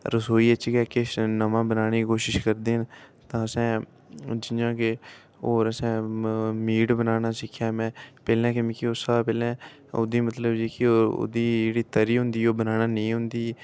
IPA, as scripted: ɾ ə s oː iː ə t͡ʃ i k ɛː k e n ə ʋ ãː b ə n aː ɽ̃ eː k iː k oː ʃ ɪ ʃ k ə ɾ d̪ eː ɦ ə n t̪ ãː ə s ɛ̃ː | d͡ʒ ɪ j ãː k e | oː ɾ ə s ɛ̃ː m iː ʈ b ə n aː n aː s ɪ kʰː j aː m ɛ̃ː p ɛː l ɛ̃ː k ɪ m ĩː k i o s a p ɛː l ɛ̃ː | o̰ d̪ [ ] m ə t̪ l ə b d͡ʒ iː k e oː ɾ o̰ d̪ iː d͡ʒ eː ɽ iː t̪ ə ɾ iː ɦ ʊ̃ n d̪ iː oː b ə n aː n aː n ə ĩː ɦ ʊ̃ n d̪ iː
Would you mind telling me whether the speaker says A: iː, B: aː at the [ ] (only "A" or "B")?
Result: A